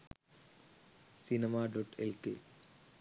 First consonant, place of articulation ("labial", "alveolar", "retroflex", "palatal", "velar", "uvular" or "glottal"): alveolar